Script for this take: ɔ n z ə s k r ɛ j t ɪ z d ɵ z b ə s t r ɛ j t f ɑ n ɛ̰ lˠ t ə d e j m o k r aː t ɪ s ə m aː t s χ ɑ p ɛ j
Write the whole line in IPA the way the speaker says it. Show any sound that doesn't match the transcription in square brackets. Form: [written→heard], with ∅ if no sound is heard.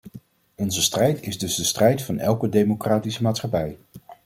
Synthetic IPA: ɔ n z ə s [k→t] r ɛ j t ɪ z d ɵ z [b→d] ə s t r ɛ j t f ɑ n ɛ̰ lˠ [t→k] ə d e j m o k r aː t [ɪ→i] s ə m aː t s χ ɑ p ɛ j